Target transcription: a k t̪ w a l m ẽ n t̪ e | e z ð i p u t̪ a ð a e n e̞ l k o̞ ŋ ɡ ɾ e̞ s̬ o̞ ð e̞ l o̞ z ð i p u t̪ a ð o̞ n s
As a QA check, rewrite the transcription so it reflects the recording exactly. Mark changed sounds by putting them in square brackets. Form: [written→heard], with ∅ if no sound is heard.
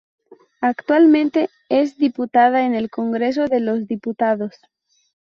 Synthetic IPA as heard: a k t̪ w a l m ẽ n t̪ e | e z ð i p u t̪ a ð a e n e̞ l k o̞ ŋ ɡ ɾ e̞ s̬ o̞ ð e̞ l o̞ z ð i p u t̪ a ð o̞ [n→∅] s